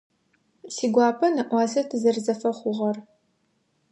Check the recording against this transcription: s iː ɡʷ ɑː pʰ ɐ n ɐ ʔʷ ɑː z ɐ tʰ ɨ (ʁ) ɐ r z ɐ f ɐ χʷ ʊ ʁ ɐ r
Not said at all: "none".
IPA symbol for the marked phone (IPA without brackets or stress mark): z